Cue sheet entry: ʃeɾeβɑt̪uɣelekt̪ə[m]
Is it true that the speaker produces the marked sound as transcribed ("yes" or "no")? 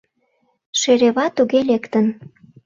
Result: no